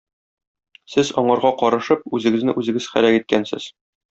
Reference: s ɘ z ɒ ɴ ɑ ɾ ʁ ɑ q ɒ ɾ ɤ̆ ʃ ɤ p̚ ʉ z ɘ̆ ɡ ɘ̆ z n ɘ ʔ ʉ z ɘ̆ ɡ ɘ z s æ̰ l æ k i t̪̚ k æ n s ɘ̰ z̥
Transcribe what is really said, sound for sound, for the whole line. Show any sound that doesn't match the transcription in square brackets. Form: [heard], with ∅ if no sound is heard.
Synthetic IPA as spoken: s ɘ z ɒ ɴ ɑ ɾ ʁ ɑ q ɒ ɾ ɤ̆ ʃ ɤ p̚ ʉ z ɘ̆ ɡ ɘ̆ z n ɘ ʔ ʉ z ɘ̆ ɡ ɘ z [χ] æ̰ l æ k i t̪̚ k æ n s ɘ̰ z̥